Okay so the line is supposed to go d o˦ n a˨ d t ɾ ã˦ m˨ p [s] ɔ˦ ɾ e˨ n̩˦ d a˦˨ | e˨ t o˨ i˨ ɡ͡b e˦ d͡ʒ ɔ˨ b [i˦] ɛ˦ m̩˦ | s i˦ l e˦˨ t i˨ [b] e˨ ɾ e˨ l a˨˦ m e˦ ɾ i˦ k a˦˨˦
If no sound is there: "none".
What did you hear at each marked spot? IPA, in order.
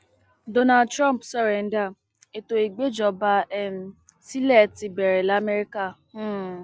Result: s, a˦, b

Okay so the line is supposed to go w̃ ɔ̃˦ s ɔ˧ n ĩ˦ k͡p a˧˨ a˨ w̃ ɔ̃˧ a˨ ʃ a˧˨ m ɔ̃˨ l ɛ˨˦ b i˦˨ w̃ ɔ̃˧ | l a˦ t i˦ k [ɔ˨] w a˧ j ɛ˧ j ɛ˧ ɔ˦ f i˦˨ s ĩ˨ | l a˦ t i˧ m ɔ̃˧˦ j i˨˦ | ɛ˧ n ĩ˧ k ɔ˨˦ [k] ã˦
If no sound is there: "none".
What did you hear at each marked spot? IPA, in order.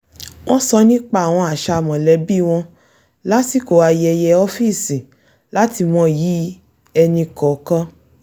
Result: o˨, k

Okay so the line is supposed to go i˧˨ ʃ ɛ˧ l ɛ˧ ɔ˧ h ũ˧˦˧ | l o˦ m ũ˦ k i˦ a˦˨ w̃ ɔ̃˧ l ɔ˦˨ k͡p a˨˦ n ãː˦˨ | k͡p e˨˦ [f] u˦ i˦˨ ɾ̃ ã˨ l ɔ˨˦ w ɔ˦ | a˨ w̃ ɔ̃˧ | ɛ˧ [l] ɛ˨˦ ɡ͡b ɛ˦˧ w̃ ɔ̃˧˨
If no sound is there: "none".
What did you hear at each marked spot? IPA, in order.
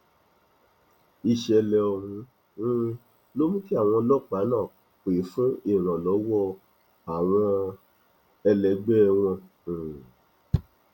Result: f, l

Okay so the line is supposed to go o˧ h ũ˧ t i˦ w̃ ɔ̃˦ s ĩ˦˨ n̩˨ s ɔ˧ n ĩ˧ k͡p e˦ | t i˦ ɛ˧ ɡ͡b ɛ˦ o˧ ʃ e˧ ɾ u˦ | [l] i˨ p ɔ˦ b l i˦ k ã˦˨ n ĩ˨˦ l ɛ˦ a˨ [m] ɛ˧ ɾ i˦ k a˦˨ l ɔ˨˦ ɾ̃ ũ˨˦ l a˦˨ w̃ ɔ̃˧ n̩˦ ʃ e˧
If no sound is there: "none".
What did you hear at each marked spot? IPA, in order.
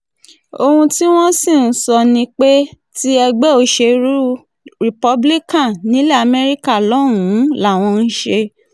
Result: ɾ, m

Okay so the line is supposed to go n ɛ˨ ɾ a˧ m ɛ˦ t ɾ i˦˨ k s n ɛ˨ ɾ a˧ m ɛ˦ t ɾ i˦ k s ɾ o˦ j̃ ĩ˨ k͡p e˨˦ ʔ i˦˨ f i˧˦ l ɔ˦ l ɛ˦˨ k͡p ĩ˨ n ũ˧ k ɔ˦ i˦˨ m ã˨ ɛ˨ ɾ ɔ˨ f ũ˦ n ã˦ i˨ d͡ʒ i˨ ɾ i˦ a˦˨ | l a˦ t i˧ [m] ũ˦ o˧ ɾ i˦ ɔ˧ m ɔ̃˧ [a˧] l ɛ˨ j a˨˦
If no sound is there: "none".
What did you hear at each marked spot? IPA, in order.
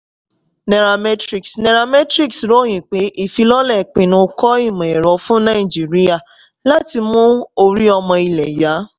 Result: m, i˧

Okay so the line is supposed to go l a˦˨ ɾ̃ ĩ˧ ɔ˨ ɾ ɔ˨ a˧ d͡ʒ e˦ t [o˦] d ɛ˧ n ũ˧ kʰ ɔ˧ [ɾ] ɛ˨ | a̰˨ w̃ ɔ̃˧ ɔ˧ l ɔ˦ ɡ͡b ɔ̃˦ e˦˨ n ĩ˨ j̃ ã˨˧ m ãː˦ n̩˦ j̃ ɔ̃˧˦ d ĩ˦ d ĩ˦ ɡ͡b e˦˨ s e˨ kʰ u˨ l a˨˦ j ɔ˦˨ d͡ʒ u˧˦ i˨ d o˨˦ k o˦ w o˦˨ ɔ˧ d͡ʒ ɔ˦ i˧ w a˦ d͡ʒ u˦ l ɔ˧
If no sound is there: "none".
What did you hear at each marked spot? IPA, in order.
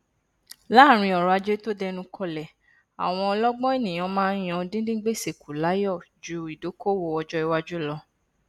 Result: o˦, l

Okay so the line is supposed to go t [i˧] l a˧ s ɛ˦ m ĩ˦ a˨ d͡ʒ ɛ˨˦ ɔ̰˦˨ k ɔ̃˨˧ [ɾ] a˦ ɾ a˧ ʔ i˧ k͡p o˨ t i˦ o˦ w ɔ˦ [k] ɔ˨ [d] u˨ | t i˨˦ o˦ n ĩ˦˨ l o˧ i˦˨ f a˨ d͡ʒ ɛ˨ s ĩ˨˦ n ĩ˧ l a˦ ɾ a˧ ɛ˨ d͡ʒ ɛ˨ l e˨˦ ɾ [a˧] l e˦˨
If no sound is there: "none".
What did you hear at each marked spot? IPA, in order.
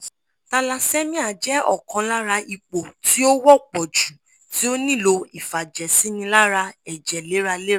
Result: a˧, l, k͡p, d͡ʒ, a˧

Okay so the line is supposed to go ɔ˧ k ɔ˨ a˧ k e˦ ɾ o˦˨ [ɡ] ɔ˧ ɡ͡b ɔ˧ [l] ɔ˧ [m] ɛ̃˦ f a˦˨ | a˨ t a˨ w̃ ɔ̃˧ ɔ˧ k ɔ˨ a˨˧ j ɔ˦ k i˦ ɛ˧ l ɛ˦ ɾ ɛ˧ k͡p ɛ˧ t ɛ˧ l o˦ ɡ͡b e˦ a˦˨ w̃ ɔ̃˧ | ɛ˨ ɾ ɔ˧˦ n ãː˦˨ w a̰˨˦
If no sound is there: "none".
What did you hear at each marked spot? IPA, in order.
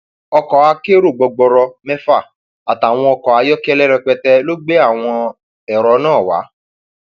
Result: ɡ͡b, ɾ, m

